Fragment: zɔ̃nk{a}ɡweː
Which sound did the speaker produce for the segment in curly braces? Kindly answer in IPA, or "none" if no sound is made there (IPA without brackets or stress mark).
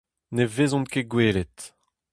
e